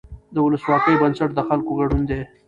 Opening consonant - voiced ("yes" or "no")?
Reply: yes